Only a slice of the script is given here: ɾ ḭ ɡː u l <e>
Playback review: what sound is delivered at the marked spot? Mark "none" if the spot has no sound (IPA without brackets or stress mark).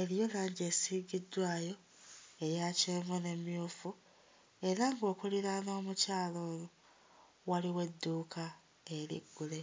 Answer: e